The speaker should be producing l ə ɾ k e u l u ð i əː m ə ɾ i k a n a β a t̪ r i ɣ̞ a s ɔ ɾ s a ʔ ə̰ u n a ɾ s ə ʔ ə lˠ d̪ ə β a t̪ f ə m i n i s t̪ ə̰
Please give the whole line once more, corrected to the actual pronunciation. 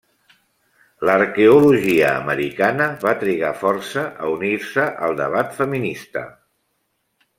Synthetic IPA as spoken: l ə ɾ k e u l u ʒ i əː m ə ɾ i k a n ə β a t̪ ɾ i ɣ̞ a f ɔ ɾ s ə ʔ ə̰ u n i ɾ s ə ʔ ə lˠ d̪ ə β a t̪ f ə m i n i s t̪ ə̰

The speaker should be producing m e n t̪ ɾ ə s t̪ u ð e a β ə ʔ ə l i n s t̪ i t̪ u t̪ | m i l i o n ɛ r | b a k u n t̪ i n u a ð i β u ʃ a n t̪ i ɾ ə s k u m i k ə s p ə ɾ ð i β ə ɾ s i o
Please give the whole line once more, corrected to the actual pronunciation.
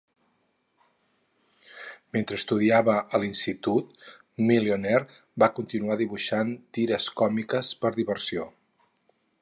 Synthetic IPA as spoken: m e n t̪ ɾ ə s t̪ u ð i a β ə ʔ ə l i n s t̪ i t̪ u t̪ | m i l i o n ɛ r | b a k u n t̪ i n u a ð i β u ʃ a n t̪ i ɾ ə s k ɔ m i k ə s p ə ɾ ð i β ə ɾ s i o

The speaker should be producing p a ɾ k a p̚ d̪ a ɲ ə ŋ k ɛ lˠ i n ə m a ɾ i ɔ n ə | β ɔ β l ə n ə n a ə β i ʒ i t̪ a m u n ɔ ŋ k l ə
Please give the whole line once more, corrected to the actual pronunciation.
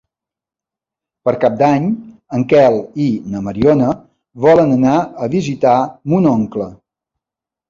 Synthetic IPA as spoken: p ə ɾ k a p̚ d̪ a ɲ ə ŋ k ɛ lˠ i n ə m ə ɾ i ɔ n ə | β ɔ l ə n ə n a ə β i z i t̪ a m u n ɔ ŋ k l ə

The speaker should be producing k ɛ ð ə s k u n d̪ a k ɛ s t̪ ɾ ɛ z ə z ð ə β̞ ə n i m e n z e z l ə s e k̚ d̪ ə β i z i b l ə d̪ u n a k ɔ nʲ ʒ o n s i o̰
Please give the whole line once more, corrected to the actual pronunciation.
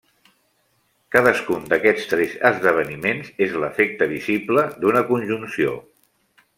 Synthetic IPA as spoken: k a ð ə s k u n d̪ ə k ɛ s t̪ ɾ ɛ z ə z ð ə β̞ ə n i m e n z e z l ə f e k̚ t̪ ə β i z i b l ə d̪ u n ə k u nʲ ʒ u n s i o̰

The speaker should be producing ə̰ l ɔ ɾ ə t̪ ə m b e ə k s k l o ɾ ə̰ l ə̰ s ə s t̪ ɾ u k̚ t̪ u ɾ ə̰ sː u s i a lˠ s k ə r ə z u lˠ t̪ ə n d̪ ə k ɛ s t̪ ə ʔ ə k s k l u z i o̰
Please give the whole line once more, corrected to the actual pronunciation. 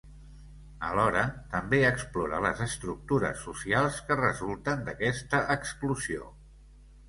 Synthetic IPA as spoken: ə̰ l ɔ ɾ ə t̪ ə m b e ə k s p l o ɾ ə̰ l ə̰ z ə s t̪ ɾ u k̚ t̪ u ɾ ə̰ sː u s i a lˠ s k ə r ə z u lˠ t̪ ə n d̪ ə k ɛ s t̪ ə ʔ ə k s k l u z i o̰

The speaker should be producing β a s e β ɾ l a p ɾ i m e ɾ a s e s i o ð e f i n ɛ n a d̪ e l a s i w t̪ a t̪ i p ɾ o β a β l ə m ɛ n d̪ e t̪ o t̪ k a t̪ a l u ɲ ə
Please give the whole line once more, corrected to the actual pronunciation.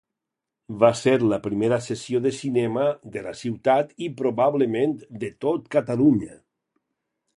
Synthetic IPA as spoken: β a s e ɾ l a p ɾ i m e ɾ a s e s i o ð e s i n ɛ m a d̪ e l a s i w t̪ a t̪ i p ɾ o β a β l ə m e n d̪ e t̪ o t̪ k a t̪ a l u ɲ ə

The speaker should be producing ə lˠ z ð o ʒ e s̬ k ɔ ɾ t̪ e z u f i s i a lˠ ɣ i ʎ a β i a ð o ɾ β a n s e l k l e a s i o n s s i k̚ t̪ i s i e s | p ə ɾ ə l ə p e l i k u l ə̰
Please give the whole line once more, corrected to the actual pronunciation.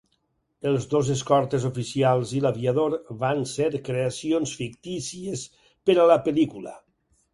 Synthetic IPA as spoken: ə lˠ z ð o z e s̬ k ɔ ɾ t̪ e z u f i s i a lˠ z i l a β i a ð o ɾ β a n s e ɾ k ɾ e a s i o n s f i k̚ t̪ i s i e s | p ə ɾ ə l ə p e l i k u l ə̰

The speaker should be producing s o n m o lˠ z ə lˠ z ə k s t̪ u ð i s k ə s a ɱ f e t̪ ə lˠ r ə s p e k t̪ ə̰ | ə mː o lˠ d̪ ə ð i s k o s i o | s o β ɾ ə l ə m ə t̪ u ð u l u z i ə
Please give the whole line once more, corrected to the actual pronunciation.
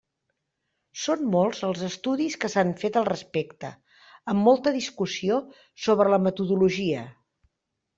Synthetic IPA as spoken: s o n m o lˠ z ə lˠ z ə s t̪ u ð i s k ə s a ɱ f e t̪ ə lˠ r ə s p e k t̪ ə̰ | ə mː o lˠ t̪ ə ð i s k u s i o | s o β ɾ ə l ə m ə t̪ u ð u l u ʒ i ə

